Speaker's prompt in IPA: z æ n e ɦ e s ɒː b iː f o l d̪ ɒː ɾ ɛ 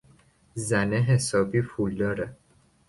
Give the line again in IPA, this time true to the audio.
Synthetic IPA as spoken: z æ n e ɦ e s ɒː b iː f u l d̪ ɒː ɾ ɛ